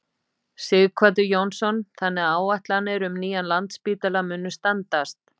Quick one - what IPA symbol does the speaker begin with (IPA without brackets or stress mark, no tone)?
s